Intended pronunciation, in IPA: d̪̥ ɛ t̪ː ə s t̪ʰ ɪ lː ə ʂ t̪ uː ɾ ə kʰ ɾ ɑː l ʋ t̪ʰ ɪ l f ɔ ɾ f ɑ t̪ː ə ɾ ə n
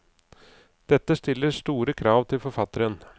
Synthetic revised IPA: d̪̥ ɛ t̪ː ə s t̪ ɪ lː ə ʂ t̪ uː ɾ ə kʰ ɾ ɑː ʋ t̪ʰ ɪ l f ɔ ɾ f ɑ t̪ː ə ɾ ə n